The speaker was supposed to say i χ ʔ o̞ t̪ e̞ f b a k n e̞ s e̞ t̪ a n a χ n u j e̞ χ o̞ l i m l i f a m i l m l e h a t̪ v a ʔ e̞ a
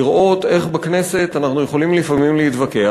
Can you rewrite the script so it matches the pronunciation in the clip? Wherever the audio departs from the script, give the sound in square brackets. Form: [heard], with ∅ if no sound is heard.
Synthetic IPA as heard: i [ʁ] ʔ o̞ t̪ e̞ [χ] b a k n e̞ s e̞ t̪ a n a χ n u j e̞ χ o̞ l i m l i f a m i [∅] m l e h [i] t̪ v a [k] e̞ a